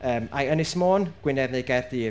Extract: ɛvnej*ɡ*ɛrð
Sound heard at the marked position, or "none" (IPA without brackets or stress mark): ɡ